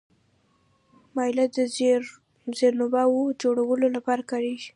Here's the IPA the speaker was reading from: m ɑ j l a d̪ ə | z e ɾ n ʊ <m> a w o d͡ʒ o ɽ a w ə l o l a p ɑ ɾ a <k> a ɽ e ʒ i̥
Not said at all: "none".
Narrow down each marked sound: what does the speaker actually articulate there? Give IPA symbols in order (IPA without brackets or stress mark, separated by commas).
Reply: b, k